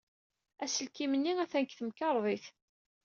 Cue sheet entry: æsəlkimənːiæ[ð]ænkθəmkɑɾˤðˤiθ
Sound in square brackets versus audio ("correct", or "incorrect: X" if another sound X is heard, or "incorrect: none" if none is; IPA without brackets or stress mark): incorrect: θ